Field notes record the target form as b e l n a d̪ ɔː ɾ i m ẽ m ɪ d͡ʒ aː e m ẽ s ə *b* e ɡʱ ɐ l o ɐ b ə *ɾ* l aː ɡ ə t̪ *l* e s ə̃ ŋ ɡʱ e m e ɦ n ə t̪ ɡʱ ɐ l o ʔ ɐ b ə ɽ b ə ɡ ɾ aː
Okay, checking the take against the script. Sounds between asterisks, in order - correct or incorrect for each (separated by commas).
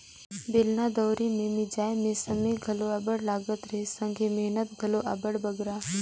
incorrect, incorrect, incorrect